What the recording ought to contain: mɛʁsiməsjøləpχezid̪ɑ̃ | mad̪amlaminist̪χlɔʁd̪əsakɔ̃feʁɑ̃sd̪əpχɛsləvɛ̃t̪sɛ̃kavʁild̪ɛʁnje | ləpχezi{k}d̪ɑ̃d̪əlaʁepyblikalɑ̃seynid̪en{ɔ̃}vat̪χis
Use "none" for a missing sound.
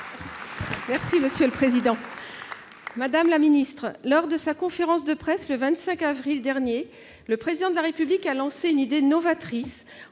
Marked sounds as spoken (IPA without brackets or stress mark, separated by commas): none, ɔ